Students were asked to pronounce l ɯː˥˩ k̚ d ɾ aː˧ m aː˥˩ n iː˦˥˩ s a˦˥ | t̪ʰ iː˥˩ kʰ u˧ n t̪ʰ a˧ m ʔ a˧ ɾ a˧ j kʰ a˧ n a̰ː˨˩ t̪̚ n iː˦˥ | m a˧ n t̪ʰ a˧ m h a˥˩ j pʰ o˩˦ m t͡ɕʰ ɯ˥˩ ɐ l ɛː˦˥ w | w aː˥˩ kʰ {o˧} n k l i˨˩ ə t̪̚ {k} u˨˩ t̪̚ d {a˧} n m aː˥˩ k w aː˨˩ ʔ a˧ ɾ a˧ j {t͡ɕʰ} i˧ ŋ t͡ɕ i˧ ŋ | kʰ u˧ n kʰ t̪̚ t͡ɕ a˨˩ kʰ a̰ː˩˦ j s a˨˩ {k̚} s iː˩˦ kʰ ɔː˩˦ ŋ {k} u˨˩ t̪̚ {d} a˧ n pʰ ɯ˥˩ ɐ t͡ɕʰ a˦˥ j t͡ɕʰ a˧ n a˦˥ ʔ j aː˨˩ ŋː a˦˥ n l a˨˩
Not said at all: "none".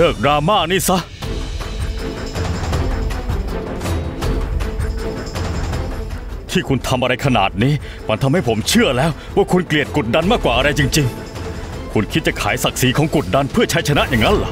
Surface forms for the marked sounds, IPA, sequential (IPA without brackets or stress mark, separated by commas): u˧, k, a˧, t͡ɕ, k̚, k, d